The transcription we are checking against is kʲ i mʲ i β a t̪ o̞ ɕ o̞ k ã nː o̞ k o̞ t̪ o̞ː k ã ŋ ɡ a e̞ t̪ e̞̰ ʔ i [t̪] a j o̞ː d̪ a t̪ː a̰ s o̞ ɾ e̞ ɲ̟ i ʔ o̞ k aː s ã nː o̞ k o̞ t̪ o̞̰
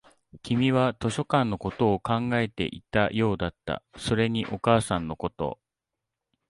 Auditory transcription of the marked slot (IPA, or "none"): t̪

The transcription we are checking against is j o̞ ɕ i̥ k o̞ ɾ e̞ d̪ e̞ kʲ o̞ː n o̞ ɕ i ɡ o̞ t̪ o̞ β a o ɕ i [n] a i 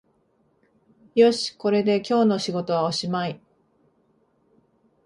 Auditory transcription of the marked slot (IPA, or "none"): m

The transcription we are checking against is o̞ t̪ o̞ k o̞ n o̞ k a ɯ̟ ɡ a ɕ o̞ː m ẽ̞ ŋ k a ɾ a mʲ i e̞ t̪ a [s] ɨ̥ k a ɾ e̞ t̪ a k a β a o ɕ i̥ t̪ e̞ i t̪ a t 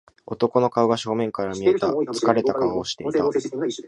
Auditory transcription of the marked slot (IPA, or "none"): t͡s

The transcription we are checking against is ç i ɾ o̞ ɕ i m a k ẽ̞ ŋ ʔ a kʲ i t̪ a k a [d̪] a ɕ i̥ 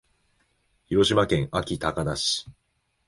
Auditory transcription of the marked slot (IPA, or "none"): d̪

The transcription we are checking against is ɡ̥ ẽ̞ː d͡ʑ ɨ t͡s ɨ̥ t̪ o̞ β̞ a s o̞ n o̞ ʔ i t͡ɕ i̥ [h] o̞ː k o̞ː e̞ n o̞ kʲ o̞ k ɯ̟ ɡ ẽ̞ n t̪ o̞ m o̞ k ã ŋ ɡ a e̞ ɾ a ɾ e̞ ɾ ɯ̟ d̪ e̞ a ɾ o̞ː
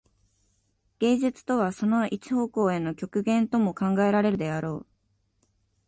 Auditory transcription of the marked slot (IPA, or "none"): h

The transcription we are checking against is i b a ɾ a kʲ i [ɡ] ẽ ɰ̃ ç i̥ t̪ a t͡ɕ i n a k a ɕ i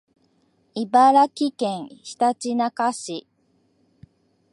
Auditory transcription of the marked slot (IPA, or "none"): k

